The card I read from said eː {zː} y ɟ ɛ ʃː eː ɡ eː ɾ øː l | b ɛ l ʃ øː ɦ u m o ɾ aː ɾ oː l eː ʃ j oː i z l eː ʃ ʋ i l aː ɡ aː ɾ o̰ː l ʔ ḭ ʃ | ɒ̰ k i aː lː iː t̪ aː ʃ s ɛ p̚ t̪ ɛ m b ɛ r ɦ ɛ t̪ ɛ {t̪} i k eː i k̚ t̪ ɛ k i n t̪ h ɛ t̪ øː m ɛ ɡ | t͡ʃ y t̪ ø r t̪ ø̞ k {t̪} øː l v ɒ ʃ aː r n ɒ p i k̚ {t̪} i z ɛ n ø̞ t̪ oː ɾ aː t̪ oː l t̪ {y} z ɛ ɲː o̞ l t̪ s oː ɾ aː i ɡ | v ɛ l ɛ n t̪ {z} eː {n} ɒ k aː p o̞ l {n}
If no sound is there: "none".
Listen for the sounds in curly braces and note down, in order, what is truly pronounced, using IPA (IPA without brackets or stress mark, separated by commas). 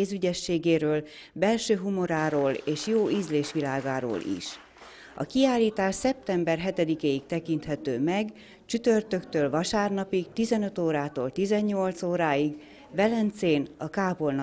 z, d̪, t̪, t̪, i, s, n, n